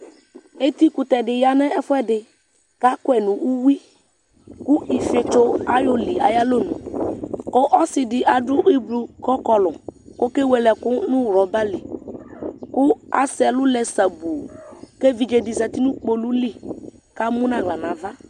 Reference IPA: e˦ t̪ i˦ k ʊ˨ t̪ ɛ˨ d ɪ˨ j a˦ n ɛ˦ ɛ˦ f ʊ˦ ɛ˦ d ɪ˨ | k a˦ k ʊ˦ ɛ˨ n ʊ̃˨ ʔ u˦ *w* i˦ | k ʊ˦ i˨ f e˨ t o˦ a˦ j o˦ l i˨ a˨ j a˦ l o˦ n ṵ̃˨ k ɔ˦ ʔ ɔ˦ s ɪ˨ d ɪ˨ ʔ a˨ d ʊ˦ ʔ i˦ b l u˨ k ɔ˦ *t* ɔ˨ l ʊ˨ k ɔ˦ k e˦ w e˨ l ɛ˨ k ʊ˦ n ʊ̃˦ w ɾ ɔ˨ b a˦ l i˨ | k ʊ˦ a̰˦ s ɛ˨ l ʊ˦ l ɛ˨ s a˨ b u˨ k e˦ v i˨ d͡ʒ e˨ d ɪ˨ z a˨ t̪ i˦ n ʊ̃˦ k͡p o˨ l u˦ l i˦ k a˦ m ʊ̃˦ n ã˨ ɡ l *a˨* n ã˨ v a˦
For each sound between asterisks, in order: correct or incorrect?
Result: correct, incorrect, correct

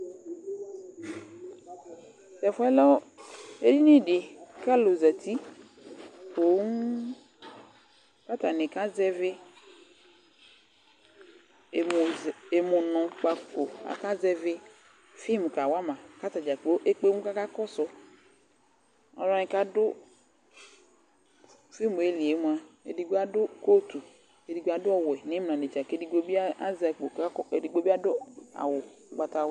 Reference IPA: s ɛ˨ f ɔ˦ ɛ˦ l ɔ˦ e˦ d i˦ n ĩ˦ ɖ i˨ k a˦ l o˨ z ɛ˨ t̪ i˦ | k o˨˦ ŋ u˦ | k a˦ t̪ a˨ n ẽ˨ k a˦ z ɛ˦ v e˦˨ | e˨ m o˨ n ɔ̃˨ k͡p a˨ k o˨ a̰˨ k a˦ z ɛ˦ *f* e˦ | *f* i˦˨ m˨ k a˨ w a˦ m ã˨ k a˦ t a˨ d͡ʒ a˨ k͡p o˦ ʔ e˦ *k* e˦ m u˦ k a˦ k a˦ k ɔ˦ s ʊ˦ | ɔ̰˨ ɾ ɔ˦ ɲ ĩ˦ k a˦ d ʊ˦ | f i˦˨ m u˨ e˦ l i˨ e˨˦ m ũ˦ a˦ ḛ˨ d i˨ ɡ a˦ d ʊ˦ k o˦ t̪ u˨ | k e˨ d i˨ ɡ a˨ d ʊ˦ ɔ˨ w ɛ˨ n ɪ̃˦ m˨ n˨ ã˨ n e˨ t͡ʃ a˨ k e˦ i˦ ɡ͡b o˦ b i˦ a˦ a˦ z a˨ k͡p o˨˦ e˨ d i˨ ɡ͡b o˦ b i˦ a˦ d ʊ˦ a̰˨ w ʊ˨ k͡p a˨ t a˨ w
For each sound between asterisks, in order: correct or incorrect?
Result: incorrect, correct, incorrect

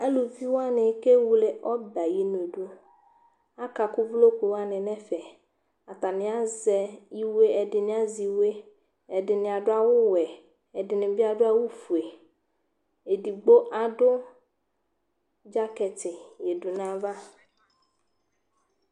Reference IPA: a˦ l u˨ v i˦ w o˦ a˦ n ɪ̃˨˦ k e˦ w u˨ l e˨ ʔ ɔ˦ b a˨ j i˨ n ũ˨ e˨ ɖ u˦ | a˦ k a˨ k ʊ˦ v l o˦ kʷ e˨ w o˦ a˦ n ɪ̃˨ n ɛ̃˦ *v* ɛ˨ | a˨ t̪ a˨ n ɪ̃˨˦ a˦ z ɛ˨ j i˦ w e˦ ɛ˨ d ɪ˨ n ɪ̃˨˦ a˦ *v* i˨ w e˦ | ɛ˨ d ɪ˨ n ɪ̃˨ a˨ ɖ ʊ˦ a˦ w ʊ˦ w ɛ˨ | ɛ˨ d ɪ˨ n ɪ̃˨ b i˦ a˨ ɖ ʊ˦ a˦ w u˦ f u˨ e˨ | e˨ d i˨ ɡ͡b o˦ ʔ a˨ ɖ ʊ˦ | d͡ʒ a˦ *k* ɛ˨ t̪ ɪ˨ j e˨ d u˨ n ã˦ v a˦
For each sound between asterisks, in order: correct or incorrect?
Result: incorrect, incorrect, correct

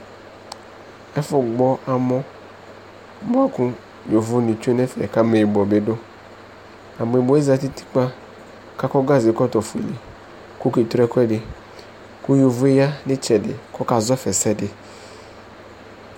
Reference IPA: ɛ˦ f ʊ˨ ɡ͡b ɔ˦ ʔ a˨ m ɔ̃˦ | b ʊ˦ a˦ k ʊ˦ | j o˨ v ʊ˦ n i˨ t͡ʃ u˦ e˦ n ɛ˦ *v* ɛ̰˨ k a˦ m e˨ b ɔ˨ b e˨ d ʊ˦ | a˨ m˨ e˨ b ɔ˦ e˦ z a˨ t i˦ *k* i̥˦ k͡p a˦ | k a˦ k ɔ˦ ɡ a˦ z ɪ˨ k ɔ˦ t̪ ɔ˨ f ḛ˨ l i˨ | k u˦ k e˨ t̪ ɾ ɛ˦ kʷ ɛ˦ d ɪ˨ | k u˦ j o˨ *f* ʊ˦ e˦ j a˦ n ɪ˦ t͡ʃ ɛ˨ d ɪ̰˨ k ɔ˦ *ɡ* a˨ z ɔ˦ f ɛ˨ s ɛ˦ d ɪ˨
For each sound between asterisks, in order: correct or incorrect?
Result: incorrect, incorrect, incorrect, incorrect

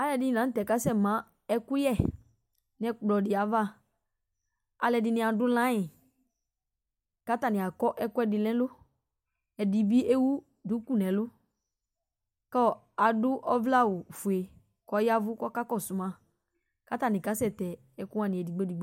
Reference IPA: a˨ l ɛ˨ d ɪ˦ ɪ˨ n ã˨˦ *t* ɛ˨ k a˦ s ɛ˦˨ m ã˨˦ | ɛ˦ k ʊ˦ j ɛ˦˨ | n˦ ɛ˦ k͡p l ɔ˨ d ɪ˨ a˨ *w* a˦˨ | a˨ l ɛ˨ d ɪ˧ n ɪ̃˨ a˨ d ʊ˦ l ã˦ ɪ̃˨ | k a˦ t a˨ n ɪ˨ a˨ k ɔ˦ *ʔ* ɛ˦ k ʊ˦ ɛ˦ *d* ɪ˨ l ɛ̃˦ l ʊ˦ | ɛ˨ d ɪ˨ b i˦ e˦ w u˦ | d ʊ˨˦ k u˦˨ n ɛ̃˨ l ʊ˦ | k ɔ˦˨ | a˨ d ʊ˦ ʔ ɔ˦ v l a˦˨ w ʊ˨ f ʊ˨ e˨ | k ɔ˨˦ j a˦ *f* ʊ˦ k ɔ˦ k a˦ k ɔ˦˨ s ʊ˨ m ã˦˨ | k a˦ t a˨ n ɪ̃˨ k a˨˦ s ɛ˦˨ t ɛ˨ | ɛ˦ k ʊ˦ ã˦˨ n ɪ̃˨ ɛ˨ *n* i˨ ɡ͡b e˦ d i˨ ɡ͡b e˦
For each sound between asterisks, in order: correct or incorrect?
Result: correct, incorrect, correct, correct, incorrect, incorrect

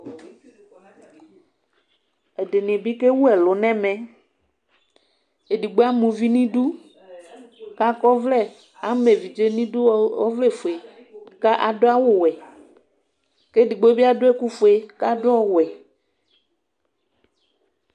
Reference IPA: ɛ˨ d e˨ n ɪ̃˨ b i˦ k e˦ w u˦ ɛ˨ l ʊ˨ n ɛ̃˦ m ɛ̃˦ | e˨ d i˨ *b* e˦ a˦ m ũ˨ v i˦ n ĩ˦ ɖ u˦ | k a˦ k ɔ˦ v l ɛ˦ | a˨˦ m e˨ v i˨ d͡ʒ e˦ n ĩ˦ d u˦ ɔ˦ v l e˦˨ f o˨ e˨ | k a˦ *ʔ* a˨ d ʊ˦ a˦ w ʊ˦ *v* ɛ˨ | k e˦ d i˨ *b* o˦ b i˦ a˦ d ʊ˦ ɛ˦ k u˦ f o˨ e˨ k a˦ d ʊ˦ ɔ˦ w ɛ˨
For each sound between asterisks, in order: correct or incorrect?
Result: incorrect, correct, incorrect, incorrect

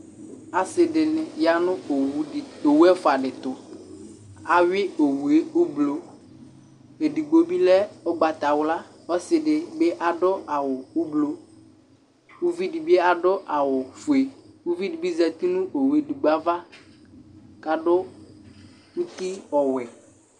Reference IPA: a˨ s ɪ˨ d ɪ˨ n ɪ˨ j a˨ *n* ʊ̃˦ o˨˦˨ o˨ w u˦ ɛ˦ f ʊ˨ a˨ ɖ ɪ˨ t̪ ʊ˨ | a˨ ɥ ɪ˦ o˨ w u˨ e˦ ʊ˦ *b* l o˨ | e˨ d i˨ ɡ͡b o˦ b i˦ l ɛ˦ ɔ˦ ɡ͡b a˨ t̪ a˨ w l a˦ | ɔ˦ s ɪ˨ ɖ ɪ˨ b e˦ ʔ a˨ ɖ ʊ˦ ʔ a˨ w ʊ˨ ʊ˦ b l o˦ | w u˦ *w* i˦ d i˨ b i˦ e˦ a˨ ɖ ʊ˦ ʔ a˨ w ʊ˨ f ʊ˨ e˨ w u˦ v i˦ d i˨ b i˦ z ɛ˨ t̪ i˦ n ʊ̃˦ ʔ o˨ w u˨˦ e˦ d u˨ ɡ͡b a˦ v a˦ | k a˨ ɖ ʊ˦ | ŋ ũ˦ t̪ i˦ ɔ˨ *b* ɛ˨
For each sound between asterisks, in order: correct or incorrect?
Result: correct, correct, incorrect, incorrect

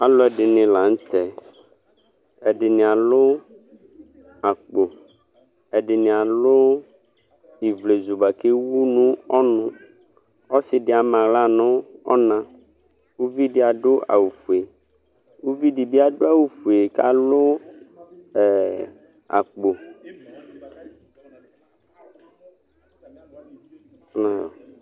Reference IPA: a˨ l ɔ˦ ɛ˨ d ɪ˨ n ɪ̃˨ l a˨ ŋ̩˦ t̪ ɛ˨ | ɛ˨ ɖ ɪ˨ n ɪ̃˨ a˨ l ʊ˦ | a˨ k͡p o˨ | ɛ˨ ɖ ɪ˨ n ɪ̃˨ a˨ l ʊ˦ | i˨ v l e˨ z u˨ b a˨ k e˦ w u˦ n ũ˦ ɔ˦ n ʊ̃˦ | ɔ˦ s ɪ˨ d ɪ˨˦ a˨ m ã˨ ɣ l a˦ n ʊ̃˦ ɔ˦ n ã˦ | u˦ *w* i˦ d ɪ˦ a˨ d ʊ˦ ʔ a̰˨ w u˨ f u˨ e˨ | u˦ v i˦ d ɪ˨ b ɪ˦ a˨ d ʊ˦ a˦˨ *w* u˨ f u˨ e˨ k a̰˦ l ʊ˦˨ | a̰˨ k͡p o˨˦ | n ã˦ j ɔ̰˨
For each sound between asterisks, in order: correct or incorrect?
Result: incorrect, correct

